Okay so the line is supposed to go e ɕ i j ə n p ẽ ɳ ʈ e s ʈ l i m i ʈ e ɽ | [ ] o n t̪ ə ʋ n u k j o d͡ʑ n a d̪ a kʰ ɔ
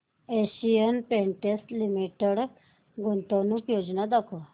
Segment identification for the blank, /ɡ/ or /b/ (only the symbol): ɡ